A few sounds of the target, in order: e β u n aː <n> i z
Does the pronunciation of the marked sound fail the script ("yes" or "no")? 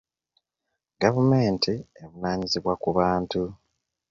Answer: yes